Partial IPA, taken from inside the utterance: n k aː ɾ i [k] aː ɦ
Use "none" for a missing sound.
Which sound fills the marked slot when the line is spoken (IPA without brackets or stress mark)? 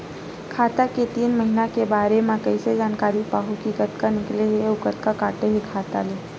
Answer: p